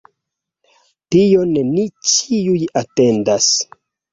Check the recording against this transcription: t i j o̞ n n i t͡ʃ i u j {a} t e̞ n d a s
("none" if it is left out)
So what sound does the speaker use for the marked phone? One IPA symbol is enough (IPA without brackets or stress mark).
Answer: a